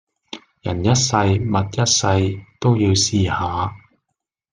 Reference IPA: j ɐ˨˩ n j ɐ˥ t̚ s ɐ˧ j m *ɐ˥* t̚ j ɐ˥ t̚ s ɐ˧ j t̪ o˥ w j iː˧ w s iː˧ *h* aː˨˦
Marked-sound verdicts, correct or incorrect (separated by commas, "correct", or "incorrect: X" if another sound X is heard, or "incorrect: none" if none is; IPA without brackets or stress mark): incorrect: ɐ˨, correct